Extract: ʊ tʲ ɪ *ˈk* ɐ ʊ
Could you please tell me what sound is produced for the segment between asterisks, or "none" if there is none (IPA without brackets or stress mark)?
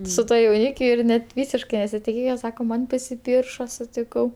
k